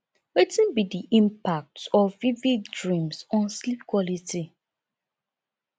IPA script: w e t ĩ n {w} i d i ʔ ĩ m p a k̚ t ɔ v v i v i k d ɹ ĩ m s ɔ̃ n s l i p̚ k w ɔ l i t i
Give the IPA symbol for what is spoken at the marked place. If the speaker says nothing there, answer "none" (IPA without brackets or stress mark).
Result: b